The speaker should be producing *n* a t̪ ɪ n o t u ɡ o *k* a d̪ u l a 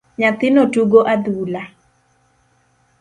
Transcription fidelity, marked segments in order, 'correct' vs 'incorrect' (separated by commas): incorrect, incorrect